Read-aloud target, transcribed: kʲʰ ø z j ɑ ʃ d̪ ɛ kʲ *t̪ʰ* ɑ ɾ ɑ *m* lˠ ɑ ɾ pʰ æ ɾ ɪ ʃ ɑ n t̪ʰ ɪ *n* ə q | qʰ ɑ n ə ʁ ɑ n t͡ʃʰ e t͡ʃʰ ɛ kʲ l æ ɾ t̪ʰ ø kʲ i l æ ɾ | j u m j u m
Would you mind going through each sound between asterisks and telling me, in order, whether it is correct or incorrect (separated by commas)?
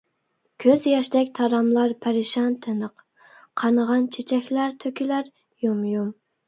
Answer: correct, correct, correct